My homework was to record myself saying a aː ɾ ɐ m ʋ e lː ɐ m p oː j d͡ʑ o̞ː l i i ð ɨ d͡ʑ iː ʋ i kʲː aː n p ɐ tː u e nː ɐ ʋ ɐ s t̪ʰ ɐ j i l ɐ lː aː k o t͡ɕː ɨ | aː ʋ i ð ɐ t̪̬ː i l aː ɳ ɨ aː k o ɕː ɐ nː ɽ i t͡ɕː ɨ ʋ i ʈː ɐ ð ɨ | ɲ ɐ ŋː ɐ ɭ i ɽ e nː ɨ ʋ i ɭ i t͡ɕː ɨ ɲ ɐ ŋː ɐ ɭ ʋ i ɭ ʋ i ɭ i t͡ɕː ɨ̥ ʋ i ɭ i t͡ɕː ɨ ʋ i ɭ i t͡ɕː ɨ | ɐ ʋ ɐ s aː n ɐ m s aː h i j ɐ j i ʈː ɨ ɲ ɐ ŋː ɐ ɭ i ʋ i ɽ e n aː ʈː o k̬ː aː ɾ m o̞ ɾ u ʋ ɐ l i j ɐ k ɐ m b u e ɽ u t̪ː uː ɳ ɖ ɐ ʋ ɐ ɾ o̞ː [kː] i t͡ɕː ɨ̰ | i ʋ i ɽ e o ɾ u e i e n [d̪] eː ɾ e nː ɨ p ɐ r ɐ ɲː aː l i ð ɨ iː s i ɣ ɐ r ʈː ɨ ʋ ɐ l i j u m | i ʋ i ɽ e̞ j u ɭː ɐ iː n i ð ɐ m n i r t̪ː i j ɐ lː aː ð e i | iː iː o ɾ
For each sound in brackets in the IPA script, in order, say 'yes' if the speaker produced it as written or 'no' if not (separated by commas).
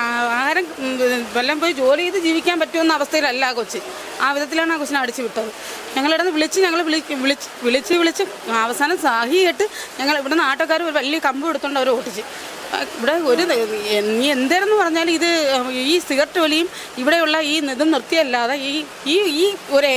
no, yes